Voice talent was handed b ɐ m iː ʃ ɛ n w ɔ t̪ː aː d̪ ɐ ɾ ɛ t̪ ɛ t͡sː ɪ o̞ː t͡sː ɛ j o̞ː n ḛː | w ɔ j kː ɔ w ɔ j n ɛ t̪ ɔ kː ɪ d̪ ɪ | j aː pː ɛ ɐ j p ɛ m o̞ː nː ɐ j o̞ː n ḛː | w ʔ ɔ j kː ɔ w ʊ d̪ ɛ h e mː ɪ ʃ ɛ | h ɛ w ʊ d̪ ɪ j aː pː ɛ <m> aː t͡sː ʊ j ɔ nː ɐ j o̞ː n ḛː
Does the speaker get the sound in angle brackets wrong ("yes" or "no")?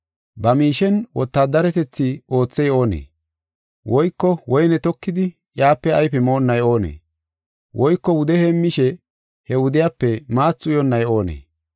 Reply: no